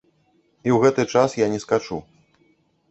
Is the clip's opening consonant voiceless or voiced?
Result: voiced